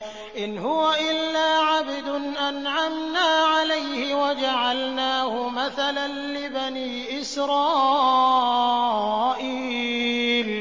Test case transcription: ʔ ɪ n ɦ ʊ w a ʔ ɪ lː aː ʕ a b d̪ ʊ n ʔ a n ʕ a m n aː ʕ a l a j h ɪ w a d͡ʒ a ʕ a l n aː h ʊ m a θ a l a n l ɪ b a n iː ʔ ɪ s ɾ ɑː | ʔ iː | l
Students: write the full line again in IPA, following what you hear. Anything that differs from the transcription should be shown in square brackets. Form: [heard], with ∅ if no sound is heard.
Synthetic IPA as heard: ʔ ɪ n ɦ ʊ w a ʔ ɪ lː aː ʕ a b d̪ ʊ n ʔ a n ʕ a m n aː ʕ a l a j h ɪ w a d͡ʒ a ʕ a l n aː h ʊ m a θ a l a n l ɪ b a n iː ʔ ɪ s ɾ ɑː | ʔ iː | l